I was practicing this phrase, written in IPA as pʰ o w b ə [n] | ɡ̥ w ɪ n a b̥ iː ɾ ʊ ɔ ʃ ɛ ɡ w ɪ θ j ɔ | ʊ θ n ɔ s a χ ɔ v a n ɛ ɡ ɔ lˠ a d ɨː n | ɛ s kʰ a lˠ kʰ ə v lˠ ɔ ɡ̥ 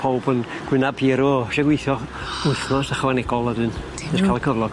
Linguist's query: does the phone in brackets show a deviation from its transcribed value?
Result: no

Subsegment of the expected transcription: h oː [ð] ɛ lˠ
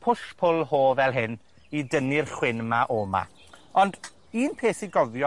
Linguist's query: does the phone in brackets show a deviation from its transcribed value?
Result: yes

